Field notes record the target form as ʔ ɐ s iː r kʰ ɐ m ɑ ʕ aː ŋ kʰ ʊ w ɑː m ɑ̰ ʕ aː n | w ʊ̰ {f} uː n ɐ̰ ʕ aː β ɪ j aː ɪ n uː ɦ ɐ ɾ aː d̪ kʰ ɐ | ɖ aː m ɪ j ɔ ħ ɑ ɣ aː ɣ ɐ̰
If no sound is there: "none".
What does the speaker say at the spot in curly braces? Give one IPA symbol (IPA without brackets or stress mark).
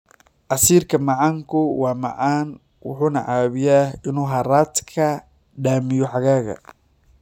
ħ